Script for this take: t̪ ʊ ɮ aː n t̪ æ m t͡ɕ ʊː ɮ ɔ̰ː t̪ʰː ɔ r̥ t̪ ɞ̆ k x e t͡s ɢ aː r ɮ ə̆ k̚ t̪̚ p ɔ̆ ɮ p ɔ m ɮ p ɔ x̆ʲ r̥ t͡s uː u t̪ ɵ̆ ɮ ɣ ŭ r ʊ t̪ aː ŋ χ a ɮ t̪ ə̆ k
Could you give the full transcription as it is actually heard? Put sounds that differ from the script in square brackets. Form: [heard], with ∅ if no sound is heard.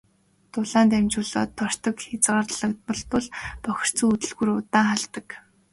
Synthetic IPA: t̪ ʊ ɮ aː n t̪ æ m t͡ɕ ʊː ɮ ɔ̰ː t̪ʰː ɔ r̥ t̪ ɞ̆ k x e t͡s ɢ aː r ɮ ə̆ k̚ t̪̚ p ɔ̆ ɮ p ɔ [∅] ɮ p ɔ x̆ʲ r̥ t͡s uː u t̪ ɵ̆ ɮ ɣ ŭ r ʊ t̪ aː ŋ χ a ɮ t̪ ə̆ k